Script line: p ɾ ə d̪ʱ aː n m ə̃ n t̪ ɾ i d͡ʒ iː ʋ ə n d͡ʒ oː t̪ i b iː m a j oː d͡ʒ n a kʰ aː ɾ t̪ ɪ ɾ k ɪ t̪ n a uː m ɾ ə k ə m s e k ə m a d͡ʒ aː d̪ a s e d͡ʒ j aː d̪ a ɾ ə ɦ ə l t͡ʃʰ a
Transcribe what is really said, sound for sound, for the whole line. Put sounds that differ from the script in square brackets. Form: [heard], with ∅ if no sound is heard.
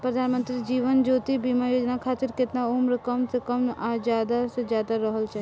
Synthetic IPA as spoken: p ɾ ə d̪ʱ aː n m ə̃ n t̪ ɾ i d͡ʒ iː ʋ ə n d͡ʒ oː t̪ i b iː m a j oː d͡ʒ n a kʰ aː [∅] t̪ ɪ ɾ k ɪ t̪ n a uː m ɾ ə k ə m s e k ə m a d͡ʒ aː d̪ a s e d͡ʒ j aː d̪ a ɾ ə ɦ ə l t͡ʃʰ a